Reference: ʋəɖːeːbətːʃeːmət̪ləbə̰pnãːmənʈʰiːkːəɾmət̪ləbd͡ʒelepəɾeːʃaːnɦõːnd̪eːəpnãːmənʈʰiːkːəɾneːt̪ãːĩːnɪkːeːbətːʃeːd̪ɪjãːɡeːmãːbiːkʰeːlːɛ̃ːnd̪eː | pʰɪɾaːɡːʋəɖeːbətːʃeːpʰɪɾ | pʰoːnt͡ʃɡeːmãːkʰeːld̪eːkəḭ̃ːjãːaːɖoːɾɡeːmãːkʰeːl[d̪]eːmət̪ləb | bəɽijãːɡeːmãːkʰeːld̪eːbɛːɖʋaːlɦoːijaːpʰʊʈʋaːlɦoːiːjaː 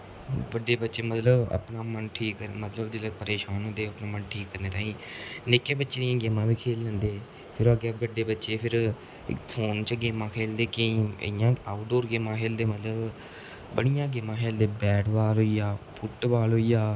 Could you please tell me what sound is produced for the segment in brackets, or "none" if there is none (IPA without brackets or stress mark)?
d̪